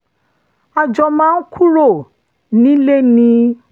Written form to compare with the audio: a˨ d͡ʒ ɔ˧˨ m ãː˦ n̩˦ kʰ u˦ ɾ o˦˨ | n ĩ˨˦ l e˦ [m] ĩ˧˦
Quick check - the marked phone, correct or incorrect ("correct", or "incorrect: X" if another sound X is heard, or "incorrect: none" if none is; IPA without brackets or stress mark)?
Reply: incorrect: n